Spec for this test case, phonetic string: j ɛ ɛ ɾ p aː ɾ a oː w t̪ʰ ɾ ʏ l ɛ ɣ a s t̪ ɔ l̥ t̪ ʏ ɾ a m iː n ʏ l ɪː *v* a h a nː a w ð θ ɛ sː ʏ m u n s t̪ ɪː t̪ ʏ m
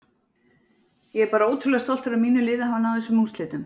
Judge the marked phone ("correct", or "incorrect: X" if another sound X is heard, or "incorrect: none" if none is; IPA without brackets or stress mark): incorrect: ð